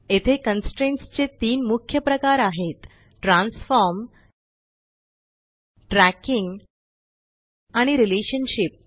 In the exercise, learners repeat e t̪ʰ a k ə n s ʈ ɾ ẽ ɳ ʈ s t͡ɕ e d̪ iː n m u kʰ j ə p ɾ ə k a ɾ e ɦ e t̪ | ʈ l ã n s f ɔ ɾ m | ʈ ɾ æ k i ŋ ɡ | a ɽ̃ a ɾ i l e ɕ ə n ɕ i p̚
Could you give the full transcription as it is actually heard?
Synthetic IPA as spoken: e t̪ʰ e k ə n s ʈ ɾ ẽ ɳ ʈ s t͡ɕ e t̪ iː n m u kʰ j ə p ɾ ə k a ɾ a ɦ e t̪ | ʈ ɾ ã n s f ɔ ɾ m | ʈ ɾ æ k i ŋ ɡ | a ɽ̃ i ɾ i l e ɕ ə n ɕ i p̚